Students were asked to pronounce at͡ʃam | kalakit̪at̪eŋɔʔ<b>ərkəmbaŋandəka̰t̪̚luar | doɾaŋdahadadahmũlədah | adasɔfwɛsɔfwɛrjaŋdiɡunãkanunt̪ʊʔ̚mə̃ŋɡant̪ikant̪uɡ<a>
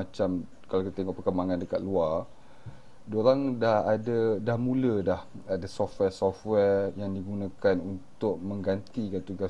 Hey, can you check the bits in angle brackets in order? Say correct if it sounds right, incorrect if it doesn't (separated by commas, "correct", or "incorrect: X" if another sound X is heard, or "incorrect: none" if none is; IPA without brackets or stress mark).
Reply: incorrect: p, correct